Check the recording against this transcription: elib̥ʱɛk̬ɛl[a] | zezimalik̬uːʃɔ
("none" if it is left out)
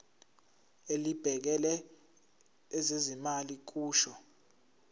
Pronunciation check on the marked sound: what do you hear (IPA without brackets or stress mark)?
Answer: ɛ